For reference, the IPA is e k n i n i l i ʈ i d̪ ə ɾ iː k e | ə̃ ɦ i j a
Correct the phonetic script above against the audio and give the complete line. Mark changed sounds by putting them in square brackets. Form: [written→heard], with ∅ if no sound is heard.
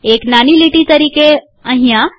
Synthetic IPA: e k n [i→a] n i l i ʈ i [d̪→t̪] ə ɾ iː k e | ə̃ ɦ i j a